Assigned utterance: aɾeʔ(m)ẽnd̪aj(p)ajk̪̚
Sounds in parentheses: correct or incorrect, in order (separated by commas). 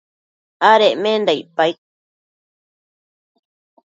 correct, correct